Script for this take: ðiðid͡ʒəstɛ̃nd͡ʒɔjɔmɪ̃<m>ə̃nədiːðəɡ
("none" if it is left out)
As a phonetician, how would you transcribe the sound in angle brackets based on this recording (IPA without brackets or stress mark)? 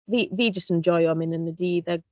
n